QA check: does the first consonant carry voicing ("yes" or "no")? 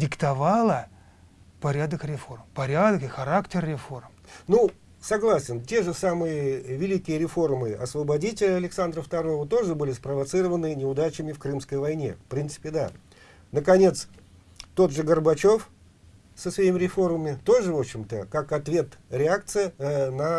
yes